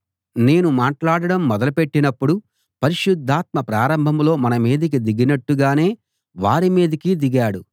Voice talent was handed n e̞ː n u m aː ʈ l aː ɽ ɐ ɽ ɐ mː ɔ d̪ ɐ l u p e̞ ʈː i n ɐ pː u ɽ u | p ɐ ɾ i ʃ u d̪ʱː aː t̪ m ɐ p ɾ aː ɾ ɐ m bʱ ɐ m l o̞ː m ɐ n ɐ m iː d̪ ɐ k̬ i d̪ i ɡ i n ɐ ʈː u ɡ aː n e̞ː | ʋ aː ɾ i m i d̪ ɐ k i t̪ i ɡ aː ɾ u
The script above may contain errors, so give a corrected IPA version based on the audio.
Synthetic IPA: n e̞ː n u m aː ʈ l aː ɽ ɐ ɽ ɐ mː ɔ d̪ ɐ l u p e̞ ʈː i n ɐ pː u ɽ u | p ɐ ɾ i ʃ u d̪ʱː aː t̪ m ɐ p ɾ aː ɾ ɐ m bʱ ɐ m l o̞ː m ɐ n ɐ m iː d̪ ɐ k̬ i d̪ i ɡ i n ɐ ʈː u ɡ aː n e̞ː | ʋ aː ɾ i m iː d̪ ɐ k i d̪ i ɡ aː ɽ u

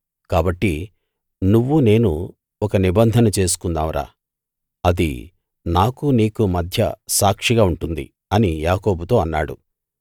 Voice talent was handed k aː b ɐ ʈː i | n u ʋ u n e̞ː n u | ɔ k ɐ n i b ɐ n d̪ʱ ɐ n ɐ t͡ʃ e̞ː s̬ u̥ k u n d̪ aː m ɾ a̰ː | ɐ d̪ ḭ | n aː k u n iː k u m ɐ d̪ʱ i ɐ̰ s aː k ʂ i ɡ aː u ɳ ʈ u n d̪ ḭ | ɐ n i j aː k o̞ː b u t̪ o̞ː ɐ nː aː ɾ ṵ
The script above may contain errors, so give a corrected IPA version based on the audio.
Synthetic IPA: k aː b ɐ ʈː i | n u ʋː u n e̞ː n u | ɔ k ɐ n i b ɐ n d̪ʱ ɐ n ɐ t͡ʃ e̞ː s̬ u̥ k u n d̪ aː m ɾ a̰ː | ɐ d̪ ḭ | n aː k u n iː k u m ɐ d̪ʱ j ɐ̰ s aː k ʂ i ɡ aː u ɳ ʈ u n d̪ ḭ | ɐ n i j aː k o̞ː b u t̪ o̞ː ɐ nː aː ɽ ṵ

